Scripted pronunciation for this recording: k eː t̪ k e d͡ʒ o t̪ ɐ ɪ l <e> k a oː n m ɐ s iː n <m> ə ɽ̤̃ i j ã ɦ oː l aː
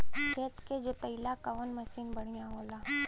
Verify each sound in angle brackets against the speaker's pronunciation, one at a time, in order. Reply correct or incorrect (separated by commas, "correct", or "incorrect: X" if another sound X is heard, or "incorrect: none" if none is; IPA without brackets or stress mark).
incorrect: a, incorrect: b